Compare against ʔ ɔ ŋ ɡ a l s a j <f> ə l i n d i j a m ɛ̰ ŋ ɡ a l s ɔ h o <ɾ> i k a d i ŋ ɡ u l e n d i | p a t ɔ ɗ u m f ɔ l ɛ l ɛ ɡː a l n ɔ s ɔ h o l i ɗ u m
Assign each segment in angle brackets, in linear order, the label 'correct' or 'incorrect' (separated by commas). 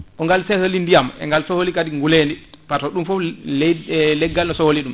incorrect, incorrect